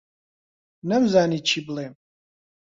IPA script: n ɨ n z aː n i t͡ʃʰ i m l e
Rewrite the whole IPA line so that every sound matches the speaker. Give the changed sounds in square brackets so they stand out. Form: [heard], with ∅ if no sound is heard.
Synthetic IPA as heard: n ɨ [m] z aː n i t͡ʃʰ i [b] l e